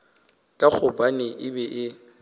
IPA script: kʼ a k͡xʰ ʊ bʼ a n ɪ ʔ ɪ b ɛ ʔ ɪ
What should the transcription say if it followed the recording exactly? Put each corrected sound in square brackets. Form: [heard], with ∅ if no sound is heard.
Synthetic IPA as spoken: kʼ a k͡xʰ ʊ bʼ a n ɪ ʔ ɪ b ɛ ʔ ɪ